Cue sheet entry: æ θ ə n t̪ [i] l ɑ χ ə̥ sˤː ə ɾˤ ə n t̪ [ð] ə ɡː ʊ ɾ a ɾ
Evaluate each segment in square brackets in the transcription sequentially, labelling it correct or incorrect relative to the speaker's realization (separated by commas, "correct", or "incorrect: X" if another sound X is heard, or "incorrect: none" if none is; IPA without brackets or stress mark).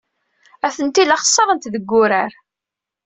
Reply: correct, correct